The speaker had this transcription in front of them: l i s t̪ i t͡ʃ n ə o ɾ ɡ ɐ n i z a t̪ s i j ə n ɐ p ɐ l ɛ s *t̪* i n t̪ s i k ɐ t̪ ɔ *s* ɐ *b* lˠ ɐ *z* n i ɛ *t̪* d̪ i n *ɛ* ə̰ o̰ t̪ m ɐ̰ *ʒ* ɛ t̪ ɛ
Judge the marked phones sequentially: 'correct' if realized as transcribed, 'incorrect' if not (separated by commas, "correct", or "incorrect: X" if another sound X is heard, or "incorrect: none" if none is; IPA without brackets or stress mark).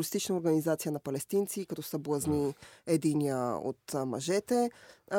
correct, correct, correct, correct, incorrect: none, incorrect: i, correct